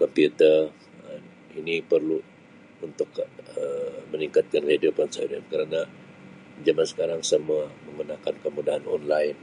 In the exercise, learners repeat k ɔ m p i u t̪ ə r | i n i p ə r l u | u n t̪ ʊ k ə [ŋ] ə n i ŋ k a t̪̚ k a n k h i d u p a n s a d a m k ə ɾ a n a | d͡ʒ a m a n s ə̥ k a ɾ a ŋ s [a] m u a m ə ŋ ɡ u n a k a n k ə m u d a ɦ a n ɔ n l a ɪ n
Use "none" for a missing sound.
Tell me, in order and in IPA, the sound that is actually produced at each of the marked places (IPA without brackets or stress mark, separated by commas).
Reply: m, ə